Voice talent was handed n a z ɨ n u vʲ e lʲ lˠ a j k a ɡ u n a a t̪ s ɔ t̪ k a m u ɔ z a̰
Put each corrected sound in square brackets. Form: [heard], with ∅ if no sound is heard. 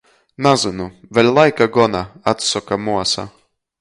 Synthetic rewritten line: n a z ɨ n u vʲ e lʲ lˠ a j k a ɡ [ɔ] n a a t̪ s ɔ [∅] k a m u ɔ [s] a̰